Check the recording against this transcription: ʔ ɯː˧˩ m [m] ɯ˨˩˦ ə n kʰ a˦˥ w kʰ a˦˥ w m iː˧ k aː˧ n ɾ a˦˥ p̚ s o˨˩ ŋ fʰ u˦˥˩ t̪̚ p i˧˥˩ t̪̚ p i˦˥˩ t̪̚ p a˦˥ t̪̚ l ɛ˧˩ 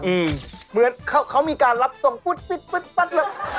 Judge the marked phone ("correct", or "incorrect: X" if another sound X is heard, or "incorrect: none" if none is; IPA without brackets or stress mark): correct